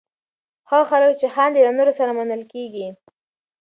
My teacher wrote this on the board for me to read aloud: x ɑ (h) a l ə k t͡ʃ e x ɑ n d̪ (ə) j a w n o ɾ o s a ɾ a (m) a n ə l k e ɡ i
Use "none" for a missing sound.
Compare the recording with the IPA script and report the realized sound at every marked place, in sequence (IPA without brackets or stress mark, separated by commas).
x, ə, m